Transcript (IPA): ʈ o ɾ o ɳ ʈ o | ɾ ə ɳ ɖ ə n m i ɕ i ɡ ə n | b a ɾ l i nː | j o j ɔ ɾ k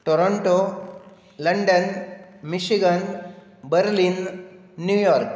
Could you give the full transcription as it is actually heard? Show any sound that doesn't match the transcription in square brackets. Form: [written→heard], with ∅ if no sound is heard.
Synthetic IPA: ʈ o ɾ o ɳ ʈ o | [ɾ→l] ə ɳ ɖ ə n m i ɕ i ɡ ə n | b [a→ə] ɾ l i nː | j [o→u] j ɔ ɾ k